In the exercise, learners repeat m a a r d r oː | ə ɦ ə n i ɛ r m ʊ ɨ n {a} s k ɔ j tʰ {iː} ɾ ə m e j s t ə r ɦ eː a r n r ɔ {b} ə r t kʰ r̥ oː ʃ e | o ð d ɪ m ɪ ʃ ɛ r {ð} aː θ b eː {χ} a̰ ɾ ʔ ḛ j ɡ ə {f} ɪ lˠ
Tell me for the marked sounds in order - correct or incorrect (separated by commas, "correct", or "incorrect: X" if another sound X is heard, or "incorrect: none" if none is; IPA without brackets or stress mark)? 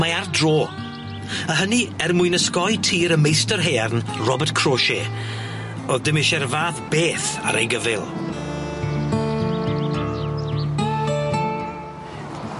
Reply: incorrect: ə, correct, correct, incorrect: v, incorrect: θ, incorrect: v